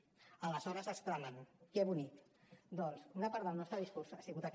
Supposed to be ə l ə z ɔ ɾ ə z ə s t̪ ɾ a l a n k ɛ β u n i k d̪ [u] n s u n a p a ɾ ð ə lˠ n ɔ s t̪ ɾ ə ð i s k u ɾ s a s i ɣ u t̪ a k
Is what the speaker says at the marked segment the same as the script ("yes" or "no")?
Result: no